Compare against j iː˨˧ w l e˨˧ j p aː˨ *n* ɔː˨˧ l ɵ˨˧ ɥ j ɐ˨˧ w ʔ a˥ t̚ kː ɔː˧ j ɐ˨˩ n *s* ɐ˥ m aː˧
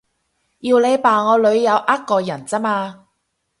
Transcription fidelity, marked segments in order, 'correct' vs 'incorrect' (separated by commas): incorrect, incorrect